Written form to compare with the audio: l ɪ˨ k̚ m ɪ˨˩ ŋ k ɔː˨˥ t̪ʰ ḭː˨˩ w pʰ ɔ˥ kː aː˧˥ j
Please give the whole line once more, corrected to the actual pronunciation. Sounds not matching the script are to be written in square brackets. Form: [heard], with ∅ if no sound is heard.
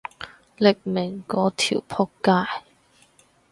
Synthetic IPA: l ɪ˨ k̚ m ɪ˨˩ ŋ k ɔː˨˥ t̪ʰ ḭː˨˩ w pʰ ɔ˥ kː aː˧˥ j